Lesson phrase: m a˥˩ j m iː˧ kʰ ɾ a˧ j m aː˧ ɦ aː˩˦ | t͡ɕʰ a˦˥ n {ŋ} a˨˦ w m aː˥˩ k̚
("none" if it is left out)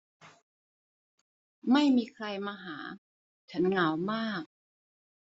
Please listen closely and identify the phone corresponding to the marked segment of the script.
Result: ŋ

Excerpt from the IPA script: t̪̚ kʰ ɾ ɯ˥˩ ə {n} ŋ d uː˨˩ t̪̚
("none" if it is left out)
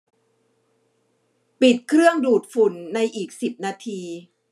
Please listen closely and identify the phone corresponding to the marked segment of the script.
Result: none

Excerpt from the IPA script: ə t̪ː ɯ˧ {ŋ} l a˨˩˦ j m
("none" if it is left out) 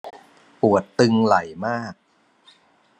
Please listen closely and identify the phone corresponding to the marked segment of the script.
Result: ŋ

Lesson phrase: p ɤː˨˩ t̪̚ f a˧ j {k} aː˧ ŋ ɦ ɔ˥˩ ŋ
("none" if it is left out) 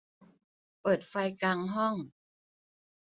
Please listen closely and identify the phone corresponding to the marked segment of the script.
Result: k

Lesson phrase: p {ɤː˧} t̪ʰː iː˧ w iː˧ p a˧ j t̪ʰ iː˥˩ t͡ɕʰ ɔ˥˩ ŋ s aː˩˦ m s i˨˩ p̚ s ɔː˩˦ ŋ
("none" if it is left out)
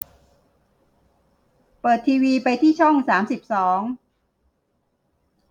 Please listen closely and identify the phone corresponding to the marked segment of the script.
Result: ɤː˨˩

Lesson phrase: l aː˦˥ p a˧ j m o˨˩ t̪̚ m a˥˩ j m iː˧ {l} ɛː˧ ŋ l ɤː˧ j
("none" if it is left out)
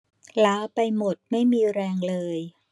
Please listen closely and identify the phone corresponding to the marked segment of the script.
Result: ɾ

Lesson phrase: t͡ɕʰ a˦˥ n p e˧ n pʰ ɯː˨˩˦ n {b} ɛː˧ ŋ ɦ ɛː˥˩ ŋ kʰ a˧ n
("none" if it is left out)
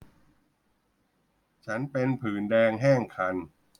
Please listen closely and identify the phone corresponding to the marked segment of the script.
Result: d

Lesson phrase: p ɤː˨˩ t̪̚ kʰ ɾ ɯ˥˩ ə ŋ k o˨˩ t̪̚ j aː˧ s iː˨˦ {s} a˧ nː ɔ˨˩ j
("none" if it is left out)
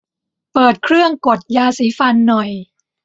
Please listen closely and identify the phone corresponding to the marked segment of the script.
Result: f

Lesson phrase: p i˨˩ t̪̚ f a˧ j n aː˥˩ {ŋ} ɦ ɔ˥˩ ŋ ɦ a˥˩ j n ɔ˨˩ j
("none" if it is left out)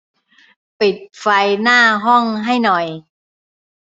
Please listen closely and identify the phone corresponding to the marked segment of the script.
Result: none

